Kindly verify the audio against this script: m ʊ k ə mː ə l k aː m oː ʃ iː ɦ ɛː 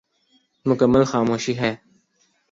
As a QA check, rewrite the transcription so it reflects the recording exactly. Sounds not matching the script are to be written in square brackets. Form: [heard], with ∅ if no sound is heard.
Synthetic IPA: m ʊ k ə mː ə l [x] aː m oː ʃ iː ɦ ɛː